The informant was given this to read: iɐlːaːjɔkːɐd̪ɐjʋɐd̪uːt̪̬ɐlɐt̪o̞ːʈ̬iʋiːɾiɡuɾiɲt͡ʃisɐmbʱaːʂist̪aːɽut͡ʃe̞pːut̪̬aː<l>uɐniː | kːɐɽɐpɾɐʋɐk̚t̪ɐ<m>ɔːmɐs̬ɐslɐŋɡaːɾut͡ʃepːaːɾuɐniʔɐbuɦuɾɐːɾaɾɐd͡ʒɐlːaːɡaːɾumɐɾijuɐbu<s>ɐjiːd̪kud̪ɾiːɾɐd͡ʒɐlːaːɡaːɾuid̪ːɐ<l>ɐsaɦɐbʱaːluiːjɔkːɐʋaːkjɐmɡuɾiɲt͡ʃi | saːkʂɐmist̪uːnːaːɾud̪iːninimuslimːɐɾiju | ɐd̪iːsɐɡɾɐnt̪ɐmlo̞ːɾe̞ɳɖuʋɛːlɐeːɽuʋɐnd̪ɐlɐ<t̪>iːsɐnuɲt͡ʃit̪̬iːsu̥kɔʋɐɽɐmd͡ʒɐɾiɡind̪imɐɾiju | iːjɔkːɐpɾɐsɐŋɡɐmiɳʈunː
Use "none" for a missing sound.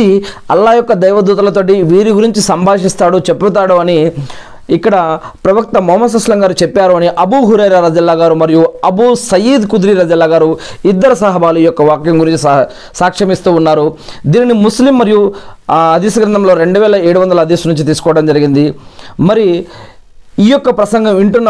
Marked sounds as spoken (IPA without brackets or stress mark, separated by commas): ɽ, m, s, ɾ, d̪